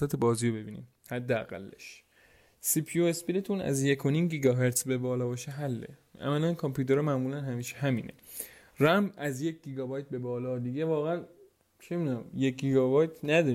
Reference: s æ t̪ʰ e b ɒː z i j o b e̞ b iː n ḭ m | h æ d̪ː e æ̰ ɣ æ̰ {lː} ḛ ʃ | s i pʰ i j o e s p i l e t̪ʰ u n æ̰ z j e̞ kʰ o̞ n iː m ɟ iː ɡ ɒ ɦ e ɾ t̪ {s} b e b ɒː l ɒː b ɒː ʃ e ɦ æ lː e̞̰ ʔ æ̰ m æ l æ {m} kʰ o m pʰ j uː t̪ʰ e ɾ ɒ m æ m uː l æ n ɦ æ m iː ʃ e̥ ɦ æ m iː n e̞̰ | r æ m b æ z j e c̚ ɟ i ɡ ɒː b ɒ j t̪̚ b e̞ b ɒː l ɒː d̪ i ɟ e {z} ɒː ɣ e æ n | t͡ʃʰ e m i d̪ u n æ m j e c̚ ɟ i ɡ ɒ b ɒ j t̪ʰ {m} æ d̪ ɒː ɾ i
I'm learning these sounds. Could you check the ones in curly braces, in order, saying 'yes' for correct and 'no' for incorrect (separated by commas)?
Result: yes, yes, no, no, no